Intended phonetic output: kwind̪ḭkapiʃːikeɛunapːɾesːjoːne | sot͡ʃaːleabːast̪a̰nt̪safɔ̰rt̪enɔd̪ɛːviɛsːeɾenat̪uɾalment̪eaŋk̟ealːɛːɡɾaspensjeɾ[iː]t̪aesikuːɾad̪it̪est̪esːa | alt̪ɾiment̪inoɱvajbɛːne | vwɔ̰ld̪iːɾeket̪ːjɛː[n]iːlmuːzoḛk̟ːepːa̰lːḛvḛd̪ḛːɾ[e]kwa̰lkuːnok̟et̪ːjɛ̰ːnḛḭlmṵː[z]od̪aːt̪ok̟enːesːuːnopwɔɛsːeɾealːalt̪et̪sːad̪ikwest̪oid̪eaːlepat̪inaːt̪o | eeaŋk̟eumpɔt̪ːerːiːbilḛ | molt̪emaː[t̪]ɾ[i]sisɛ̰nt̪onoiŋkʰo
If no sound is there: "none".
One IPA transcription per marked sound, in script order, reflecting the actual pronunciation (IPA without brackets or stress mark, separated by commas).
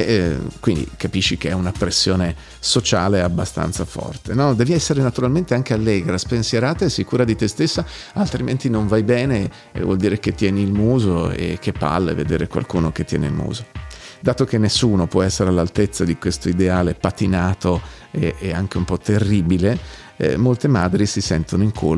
aː, n, e, z, d̪, i